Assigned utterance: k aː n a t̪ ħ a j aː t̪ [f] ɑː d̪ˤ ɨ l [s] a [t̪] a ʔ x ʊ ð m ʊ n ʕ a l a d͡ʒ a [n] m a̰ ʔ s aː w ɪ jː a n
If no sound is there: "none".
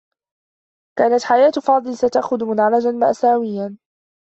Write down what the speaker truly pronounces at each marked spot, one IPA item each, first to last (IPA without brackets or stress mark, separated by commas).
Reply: f, s, t̪, n